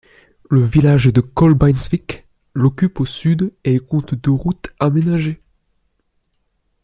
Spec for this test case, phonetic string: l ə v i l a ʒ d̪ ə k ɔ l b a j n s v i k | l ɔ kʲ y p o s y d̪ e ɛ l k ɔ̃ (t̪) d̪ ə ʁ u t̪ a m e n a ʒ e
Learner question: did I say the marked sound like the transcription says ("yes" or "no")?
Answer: yes